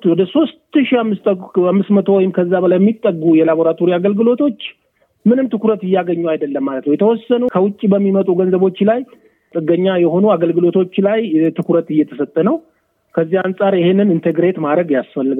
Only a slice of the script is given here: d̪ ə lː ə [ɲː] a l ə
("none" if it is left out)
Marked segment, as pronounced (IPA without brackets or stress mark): mː